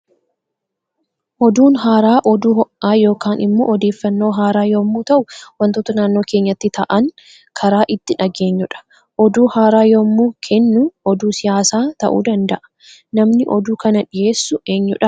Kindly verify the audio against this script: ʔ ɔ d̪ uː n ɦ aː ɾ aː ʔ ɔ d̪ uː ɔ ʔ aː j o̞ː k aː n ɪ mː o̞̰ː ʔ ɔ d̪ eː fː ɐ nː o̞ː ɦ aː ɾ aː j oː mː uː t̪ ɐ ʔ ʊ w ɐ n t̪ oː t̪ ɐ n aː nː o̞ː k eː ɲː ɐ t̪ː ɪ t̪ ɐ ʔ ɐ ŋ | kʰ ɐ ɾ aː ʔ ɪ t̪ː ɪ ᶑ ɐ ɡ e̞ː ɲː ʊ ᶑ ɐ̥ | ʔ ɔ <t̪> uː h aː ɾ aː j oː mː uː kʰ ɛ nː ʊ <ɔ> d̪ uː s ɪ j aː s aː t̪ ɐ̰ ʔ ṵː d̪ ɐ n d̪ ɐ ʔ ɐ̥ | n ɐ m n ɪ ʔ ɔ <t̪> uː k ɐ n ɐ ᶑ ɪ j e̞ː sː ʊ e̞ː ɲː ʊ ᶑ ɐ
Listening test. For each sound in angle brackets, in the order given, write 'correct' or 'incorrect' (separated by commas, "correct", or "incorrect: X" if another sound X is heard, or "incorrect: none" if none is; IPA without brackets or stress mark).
incorrect: d̪, correct, incorrect: d̪